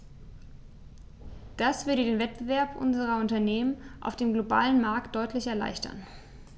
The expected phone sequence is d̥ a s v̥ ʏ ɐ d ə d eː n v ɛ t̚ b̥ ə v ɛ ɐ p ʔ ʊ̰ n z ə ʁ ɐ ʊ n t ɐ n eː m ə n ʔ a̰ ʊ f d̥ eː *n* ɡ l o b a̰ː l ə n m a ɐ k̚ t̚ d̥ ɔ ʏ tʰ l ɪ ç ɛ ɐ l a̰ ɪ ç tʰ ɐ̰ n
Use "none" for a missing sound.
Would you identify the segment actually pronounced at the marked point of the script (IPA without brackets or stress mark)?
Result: m